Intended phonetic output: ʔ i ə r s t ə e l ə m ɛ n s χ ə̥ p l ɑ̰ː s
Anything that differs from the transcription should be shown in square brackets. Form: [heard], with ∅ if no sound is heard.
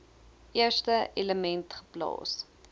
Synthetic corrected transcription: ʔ i ə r s t ə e l ə m ɛ n [t] χ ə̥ p l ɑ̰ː s